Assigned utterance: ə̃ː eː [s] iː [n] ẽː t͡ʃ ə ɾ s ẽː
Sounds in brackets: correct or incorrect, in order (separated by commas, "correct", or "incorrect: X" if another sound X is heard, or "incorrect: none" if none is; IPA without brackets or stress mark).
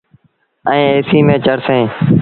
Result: correct, incorrect: m